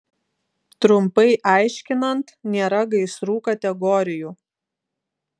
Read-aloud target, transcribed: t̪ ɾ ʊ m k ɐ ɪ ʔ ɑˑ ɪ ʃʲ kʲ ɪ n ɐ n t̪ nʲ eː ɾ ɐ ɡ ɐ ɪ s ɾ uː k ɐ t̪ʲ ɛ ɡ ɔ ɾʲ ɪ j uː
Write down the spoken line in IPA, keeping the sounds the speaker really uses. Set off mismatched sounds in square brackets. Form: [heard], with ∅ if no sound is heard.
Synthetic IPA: t̪ ɾ ʊ m [p] ɐ ɪ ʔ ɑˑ ɪ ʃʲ kʲ ɪ n ɐ n t̪ nʲ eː ɾ ɐ ɡ ɐ ɪ s ɾ uː k ɐ t̪ʲ ɛ ɡ ɔ ɾʲ ɪ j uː